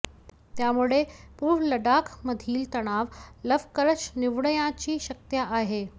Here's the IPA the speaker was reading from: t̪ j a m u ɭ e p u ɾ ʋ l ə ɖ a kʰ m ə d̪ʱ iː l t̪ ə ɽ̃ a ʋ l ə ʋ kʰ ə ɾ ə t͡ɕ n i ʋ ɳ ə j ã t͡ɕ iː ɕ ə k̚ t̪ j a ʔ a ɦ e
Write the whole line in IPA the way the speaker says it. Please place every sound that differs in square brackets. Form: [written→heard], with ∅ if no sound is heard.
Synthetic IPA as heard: t̪ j a m u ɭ e p u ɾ ʋ l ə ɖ a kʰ m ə d̪ʱ iː l t̪ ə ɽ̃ a ʋ l ə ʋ [kʰ→k] ə ɾ ə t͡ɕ n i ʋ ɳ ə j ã t͡ɕ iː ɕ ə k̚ t̪ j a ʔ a ɦ e